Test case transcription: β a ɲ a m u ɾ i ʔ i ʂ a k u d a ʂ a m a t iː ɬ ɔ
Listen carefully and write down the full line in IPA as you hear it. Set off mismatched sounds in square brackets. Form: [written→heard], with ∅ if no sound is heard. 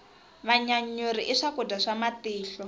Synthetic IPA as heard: β a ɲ a [m→ɲ] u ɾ i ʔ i ʂ a k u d a ʂ a m a t iː ɬ ɔ